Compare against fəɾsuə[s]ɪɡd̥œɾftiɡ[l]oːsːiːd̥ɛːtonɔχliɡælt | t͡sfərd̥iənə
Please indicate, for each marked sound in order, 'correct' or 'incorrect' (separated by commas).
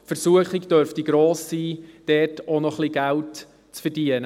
incorrect, incorrect